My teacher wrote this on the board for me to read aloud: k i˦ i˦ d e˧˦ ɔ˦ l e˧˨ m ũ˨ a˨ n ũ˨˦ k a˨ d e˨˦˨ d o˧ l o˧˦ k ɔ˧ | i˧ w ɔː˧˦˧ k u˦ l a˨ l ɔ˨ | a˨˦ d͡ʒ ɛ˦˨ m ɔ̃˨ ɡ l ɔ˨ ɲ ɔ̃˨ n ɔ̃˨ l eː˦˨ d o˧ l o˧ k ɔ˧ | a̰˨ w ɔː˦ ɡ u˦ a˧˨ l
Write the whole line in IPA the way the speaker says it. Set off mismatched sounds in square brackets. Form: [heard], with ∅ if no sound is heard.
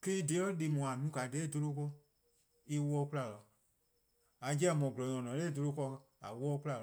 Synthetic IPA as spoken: k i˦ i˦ d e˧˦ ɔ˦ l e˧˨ m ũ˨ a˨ n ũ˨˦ k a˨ d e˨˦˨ d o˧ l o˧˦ k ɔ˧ | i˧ w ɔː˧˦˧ k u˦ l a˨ l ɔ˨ | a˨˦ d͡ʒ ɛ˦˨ m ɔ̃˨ ɡ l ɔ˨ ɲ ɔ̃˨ n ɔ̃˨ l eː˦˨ d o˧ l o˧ k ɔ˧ | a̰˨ w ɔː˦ [k] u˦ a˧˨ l